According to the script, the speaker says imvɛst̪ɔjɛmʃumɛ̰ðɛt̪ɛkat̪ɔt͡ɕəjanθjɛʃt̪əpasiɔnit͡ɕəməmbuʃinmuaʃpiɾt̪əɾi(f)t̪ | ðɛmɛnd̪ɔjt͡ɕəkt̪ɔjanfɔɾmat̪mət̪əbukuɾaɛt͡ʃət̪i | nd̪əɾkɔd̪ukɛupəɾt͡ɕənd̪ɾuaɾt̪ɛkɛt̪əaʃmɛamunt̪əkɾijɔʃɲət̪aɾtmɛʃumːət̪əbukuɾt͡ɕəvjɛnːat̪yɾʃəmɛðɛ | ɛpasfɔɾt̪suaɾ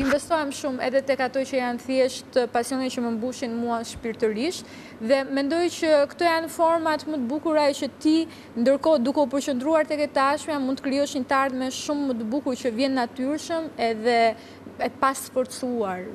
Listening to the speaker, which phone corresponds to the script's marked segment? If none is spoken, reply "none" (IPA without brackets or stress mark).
ʃ